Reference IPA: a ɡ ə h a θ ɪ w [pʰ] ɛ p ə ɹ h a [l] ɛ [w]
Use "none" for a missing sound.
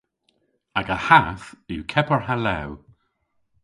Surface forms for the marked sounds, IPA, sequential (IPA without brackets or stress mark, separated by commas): kʰ, l, w